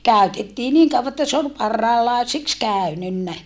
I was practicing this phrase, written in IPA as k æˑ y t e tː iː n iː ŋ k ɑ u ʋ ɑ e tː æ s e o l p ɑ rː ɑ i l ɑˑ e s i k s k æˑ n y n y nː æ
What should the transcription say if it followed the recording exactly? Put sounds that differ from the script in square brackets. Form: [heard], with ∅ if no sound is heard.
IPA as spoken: k æˑ y t e tː iː n iː ŋ k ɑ u ʋ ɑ e tː æ s e o l p ɑ rː ɑ i l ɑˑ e s i k s k æˑ [∅] y n y nː æ